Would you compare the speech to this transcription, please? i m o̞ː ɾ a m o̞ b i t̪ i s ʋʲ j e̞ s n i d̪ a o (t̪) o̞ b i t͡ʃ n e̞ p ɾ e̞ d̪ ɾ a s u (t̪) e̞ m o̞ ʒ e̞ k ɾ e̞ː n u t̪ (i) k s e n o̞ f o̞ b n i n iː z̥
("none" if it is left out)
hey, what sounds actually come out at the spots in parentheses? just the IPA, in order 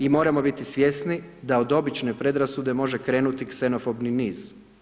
d̪, d̪, i

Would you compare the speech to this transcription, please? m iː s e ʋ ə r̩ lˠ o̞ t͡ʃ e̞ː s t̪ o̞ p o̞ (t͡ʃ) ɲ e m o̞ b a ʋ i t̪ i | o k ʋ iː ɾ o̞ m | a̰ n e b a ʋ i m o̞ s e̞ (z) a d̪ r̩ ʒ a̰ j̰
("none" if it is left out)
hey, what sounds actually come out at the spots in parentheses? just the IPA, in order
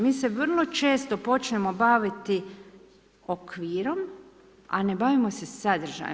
t͡ʃ, s

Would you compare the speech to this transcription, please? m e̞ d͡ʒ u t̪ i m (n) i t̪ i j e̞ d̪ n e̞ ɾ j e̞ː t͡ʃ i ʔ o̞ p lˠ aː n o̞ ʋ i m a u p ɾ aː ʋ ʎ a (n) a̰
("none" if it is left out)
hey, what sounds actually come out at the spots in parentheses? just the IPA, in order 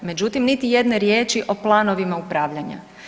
n, ɲ

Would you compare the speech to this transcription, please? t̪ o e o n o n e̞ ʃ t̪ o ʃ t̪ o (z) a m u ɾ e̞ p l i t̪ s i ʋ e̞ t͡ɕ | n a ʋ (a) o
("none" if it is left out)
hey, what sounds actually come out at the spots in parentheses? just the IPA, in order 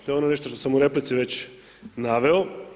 s, e

